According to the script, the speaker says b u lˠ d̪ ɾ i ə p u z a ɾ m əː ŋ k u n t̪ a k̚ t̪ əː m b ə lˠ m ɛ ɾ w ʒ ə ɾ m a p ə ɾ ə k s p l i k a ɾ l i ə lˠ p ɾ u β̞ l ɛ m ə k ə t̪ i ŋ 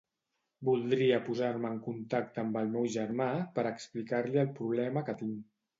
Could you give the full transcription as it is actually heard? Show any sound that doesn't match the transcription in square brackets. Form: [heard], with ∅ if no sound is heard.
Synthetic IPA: b u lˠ d̪ ɾ i ə p u z a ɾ m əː ŋ k u n t̪ a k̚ t̪ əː m b ə lˠ m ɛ [∅] w ʒ ə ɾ m a p ə ɾ ə k s p l i k a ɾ l i ə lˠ p ɾ u β̞ l ɛ m ə k ə t̪ i ŋ